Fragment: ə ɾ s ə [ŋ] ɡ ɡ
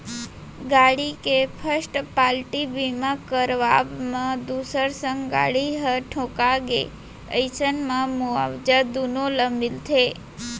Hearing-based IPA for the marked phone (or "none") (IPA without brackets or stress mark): ŋ